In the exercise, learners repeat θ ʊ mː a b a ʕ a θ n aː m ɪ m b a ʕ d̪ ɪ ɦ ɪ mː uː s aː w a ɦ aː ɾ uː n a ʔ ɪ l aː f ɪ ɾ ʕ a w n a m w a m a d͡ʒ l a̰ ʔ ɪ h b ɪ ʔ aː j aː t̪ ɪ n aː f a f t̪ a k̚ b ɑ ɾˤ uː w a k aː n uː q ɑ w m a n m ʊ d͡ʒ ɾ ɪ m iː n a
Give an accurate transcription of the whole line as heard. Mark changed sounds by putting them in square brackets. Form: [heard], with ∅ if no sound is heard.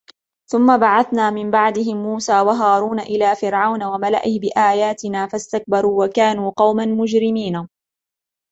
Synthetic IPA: θ ʊ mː a b a ʕ a θ n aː m ɪ m b a ʕ d̪ ɪ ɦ ɪ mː uː s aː w a ɦ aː ɾ uː n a ʔ ɪ l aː f ɪ ɾ ʕ a w n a [∅] w a m a [∅] l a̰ ʔ ɪ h b ɪ ʔ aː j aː t̪ ɪ n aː f a [s] t̪ a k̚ b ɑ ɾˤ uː w a k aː n uː q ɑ w m a n m ʊ d͡ʒ ɾ ɪ m iː n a